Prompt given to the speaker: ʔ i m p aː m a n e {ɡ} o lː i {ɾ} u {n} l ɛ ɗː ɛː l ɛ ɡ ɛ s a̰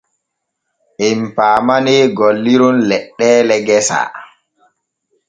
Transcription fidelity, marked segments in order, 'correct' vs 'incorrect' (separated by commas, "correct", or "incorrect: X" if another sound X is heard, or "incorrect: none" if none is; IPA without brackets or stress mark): correct, correct, correct